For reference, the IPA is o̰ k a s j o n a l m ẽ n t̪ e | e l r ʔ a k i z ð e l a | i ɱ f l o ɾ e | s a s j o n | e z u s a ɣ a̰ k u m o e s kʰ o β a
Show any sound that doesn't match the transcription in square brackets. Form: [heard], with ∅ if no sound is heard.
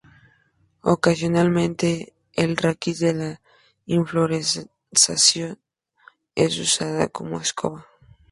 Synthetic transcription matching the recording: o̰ k a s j o n a l m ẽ n t̪ e | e l r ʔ a k i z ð e l a | i ɱ f l o ɾ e | s a s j o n | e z u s a [ð] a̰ k [o] m o e s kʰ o β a